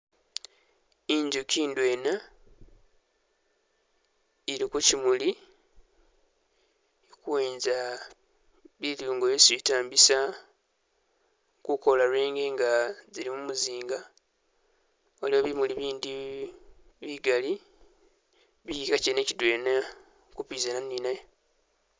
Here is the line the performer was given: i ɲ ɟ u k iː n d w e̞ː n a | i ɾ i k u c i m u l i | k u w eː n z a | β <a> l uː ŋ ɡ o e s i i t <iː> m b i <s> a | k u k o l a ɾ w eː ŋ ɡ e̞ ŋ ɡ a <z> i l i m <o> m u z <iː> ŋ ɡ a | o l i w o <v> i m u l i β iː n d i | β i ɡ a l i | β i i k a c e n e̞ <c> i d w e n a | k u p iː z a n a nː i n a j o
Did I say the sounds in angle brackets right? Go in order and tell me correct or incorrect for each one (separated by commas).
incorrect, incorrect, correct, correct, incorrect, correct, incorrect, correct